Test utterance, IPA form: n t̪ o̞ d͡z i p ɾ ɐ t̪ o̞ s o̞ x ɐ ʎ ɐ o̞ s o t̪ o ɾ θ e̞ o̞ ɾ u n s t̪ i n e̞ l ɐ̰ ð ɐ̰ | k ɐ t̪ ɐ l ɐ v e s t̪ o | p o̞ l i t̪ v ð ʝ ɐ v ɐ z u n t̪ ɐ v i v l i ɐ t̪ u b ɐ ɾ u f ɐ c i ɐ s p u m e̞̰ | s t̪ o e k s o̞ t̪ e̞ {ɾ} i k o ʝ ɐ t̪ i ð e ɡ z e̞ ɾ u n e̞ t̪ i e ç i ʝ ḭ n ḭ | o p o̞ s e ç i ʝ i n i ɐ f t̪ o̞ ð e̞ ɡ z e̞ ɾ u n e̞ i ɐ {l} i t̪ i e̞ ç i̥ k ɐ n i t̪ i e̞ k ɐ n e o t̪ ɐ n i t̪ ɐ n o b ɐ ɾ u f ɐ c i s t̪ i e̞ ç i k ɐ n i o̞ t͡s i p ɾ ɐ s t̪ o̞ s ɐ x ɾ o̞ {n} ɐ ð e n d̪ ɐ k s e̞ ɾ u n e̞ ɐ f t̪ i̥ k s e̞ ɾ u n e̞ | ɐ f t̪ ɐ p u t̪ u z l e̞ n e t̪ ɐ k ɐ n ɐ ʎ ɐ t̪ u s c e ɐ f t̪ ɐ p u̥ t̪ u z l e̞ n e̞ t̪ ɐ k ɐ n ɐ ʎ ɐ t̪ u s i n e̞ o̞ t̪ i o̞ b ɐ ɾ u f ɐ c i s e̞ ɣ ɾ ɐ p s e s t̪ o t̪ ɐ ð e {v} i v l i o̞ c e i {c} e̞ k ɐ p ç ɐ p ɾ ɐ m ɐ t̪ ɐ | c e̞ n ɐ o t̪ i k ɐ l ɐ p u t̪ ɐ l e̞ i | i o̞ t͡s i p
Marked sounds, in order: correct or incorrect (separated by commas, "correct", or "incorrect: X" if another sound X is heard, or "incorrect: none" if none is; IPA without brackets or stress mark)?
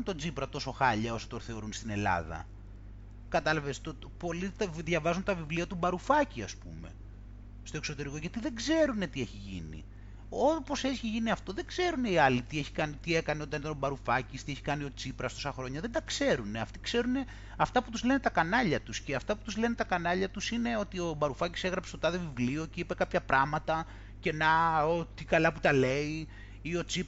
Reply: correct, correct, incorrect: ɲ, correct, incorrect: p